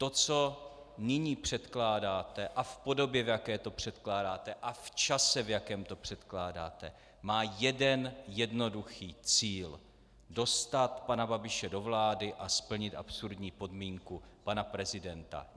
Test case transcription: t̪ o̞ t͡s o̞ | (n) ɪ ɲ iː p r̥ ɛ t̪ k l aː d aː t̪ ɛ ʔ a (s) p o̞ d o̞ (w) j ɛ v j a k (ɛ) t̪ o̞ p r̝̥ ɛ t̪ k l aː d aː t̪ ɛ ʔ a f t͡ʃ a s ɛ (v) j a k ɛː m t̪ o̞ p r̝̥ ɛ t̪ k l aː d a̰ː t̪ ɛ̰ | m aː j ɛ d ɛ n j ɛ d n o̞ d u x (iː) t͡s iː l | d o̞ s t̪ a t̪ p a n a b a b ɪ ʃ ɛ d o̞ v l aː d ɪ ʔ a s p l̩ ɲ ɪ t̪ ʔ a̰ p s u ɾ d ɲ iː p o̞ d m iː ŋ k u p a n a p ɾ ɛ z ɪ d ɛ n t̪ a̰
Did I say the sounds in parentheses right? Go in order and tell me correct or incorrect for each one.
correct, incorrect: f, incorrect: b, incorrect: ɛː, correct, correct

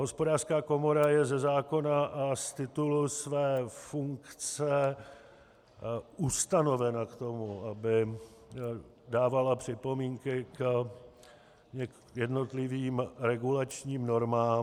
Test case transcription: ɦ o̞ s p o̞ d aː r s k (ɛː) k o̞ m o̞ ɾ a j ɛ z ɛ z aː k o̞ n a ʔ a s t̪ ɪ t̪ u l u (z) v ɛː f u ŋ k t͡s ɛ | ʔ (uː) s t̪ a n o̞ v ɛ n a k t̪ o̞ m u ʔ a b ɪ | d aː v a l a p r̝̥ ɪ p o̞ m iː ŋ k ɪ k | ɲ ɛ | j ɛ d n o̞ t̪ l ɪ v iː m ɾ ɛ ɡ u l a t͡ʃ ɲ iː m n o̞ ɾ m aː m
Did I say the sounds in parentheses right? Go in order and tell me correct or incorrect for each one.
incorrect: aː, incorrect: s, incorrect: u

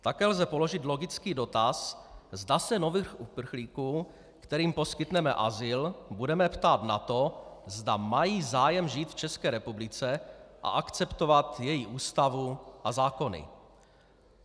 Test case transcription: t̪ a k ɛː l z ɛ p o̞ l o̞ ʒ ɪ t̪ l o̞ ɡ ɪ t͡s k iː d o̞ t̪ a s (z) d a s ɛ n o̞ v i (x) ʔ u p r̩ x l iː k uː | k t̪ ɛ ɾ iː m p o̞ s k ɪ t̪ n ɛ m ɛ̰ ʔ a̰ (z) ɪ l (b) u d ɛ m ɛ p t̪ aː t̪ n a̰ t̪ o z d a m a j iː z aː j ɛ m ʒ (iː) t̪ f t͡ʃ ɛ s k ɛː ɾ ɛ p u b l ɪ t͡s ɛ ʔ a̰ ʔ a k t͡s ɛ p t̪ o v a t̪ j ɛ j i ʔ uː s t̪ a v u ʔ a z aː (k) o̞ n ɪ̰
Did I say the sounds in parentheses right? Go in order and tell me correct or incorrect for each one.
correct, correct, correct, correct, correct, correct

